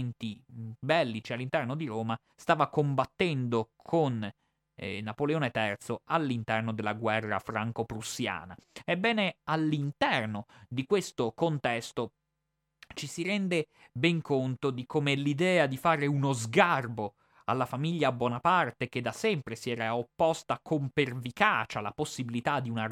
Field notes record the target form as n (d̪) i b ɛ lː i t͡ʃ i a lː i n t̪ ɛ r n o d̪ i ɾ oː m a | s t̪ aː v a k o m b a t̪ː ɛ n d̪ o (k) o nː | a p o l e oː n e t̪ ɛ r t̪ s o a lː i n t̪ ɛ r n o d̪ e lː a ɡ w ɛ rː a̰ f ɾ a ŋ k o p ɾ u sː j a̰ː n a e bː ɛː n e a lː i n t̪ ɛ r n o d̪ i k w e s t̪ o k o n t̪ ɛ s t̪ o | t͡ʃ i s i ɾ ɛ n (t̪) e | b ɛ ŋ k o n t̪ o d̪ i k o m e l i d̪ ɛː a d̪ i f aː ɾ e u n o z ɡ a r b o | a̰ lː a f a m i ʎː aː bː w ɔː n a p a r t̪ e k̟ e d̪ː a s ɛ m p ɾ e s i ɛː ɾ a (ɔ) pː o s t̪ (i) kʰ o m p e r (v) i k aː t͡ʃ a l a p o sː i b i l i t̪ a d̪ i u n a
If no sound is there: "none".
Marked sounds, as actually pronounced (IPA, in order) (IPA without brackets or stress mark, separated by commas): t̪, kʰ, d̪, o, a, v